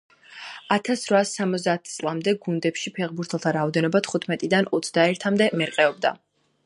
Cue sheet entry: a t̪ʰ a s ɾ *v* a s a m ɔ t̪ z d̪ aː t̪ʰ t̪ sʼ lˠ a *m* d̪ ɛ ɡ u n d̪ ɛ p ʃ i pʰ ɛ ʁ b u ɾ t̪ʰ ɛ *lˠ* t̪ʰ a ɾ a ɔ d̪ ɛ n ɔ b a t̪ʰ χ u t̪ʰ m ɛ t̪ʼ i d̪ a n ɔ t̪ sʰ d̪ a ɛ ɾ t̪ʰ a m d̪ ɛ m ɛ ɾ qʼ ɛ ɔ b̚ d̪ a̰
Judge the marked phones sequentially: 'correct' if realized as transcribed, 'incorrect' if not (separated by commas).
correct, correct, correct